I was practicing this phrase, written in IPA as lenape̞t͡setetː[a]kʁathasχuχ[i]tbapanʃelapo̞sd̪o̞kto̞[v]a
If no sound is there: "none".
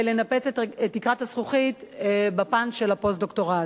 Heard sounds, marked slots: i, i, ʁ

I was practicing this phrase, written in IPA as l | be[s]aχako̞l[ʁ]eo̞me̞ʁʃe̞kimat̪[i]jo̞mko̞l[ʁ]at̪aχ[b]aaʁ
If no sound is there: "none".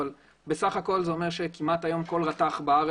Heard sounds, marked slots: s, z, a, ʁ, b

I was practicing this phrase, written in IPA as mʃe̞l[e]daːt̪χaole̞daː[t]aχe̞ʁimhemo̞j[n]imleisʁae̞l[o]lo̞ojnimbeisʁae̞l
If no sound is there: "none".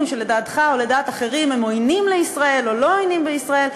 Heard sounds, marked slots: e, t, n, o

